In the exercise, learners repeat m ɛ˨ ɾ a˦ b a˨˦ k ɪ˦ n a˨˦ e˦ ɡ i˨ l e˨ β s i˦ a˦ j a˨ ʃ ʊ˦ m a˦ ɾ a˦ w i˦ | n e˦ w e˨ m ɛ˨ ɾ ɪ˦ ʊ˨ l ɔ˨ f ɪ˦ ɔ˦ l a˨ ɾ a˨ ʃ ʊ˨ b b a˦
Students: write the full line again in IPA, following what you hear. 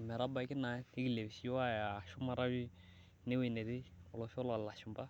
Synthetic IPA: m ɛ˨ ɾ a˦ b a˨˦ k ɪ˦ n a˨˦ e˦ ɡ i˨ l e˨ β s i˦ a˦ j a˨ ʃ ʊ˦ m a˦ ɾ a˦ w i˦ | n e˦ w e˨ n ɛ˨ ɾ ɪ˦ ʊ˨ l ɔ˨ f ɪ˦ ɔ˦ l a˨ l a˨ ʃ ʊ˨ m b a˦